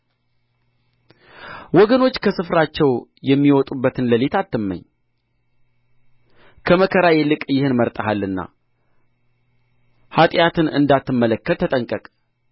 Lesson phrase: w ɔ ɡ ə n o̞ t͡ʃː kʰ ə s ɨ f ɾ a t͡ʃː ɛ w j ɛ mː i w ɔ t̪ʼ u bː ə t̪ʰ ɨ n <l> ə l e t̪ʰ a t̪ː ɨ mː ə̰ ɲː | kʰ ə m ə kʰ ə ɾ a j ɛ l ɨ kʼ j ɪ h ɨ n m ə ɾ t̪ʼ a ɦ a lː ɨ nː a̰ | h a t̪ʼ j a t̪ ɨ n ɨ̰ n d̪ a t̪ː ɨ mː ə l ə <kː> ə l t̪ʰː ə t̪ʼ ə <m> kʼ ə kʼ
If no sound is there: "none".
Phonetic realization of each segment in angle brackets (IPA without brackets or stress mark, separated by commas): l, kː, ŋ